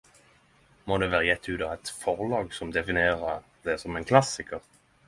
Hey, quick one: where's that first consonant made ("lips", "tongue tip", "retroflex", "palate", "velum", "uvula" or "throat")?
lips